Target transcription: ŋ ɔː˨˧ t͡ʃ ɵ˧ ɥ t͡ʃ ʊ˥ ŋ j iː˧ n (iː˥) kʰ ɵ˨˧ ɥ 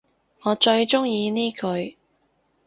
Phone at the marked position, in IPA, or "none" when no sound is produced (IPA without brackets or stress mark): iː˥